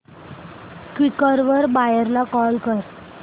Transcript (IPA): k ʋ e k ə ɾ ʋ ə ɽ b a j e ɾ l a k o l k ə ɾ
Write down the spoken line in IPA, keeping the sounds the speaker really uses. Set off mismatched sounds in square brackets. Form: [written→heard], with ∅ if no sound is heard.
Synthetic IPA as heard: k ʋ [e→i] k ə ɾ ʋ ə [ɽ→ɾ] b a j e ɾ l a k [o→ɔ] l k ə ɾ